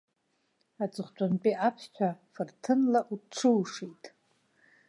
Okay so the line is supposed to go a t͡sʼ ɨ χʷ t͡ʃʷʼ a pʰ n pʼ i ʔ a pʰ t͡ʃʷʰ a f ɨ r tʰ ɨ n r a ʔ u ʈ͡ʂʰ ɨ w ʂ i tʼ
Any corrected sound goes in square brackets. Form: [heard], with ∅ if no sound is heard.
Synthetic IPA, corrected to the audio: a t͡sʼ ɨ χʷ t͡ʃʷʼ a [∅] n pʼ i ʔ a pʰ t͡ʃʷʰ a f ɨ r tʰ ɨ n [l] a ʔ u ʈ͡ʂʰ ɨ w ʂ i tʼ